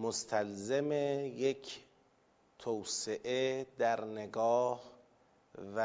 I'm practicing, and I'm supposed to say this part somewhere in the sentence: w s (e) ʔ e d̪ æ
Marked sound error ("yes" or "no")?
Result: no